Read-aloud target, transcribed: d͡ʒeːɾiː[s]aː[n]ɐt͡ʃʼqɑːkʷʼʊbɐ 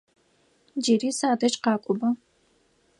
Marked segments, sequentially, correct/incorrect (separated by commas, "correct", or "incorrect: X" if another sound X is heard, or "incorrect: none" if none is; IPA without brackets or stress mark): correct, incorrect: d